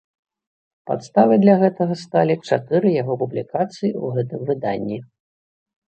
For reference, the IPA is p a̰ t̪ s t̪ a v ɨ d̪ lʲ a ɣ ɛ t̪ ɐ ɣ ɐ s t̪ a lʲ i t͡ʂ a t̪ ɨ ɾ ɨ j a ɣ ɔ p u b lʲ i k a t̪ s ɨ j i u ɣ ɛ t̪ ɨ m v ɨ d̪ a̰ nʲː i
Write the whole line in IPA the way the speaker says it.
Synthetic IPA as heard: p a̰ t̪ s t̪ a v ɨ d̪ lʲ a ɣ ɛ t̪ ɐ ɣ ɐ s t̪ a lʲ i t͡ʂ a t̪ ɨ ɾ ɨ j a ɣ ɔ p u b lʲ i k a t̪ s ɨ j i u ɣ ɛ t̪ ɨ m v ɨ d̪ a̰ nʲː i